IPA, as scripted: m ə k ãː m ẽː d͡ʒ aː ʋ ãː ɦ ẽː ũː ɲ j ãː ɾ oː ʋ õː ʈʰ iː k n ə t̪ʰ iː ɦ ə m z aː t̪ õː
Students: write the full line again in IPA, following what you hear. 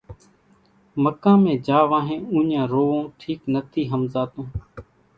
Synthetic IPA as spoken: m ə k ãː m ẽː d͡ʒ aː ʋ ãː ɦ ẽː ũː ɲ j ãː ɾ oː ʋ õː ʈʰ iː k n ə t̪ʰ iː ɦ ə m z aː t̪ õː